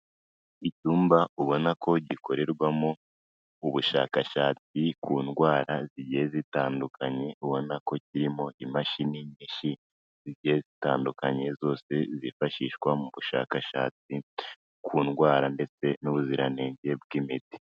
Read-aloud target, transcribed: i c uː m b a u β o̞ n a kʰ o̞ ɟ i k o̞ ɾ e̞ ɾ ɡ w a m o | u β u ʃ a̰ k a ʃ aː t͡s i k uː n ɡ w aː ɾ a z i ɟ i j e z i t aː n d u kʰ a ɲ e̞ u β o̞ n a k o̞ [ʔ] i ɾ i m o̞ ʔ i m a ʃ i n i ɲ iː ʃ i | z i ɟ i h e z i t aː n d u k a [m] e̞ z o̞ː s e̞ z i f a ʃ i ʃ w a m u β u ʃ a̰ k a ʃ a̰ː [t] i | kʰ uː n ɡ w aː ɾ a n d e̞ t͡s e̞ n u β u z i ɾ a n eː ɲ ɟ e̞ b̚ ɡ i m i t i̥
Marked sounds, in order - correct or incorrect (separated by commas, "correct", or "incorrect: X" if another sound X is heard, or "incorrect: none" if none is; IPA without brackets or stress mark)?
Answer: incorrect: c, incorrect: ɲ, incorrect: t͡s